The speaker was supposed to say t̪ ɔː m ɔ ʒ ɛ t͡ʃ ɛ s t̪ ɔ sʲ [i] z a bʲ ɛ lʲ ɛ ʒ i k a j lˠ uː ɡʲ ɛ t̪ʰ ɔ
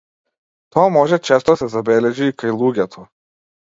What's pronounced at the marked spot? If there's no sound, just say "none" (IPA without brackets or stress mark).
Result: ɛ